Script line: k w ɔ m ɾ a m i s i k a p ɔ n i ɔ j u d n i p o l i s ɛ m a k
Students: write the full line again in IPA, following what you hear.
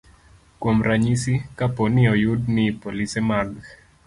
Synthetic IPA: k w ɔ m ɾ a ɲ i s i k a p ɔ n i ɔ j u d n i p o l i s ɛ m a ɡ

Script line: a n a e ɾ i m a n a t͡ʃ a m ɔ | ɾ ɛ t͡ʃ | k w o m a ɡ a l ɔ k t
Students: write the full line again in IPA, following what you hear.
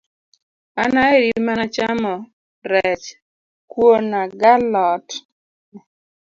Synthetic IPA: a n a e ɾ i m a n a t͡ʃ a m ɔ | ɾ ɛ t͡ʃ | k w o n a ɡ a l ɔ t

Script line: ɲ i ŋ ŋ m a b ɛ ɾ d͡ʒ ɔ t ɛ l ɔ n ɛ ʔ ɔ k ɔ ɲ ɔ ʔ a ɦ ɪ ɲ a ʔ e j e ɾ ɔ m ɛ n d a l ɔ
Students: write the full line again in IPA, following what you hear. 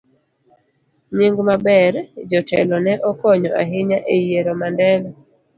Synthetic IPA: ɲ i ŋ ɡ m a b ɛ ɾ d͡ʒ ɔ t ɛ l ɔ n ɛ ʔ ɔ k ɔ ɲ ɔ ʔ a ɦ ɪ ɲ a ʔ e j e ɾ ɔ m a n d ɛ l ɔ

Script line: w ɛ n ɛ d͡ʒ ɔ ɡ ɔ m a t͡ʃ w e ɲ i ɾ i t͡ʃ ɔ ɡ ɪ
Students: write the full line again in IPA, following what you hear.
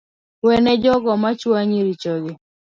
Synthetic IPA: w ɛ n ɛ d͡ʒ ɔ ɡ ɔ m a t͡ʃ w a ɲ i ɾ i t͡ʃ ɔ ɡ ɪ

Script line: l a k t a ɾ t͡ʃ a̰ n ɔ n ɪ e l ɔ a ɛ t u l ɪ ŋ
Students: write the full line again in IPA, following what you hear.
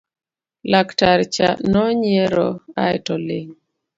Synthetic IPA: l a k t a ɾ t͡ʃ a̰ n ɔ ɲ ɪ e ɾ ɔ a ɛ t ɔ l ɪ ŋ

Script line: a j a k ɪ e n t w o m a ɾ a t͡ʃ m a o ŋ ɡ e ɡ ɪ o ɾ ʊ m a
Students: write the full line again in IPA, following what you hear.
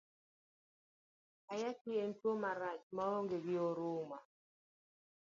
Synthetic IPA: a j a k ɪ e n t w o m a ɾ a t͡ʃ m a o ŋ ɡ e ɡ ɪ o ɾ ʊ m a

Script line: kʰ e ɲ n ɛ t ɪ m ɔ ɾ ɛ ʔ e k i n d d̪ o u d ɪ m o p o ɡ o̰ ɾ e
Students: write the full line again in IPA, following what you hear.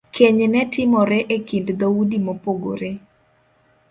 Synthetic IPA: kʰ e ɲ n ɛ t ɪ m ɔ ɾ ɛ ʔ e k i n d d̪ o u d i m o p o ɡ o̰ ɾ e

